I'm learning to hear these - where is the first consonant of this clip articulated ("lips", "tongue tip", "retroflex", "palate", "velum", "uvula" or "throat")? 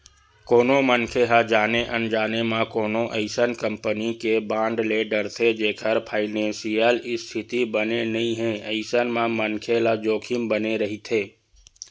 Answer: velum